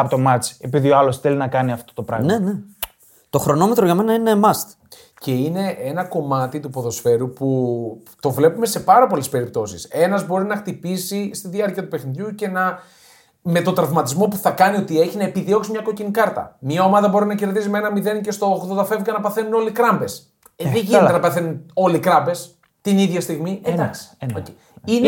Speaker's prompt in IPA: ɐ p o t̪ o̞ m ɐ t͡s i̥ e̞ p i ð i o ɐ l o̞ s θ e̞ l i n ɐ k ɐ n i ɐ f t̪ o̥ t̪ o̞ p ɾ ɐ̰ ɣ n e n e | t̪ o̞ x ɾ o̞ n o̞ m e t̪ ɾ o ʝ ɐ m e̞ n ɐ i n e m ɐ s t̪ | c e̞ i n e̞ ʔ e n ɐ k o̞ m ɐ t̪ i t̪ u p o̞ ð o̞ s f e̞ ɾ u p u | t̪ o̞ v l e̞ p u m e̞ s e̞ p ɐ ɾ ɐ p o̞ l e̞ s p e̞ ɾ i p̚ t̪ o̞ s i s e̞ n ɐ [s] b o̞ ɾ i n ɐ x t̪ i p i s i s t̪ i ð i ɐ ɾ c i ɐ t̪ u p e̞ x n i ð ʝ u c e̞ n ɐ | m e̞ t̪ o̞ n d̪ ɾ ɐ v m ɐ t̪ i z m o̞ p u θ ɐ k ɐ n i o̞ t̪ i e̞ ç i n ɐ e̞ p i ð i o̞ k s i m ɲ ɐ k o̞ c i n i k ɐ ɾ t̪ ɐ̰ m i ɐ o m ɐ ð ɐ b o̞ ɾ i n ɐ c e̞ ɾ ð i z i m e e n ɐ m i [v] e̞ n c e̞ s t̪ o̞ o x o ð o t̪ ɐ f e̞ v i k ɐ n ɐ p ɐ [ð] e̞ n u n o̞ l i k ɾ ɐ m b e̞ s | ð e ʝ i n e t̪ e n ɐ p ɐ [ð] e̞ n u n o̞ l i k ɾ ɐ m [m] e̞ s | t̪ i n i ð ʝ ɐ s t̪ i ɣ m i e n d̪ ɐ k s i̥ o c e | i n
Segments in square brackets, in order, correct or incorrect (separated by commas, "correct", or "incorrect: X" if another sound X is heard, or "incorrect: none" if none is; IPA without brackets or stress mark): incorrect: z, incorrect: ð, incorrect: θ, incorrect: θ, incorrect: b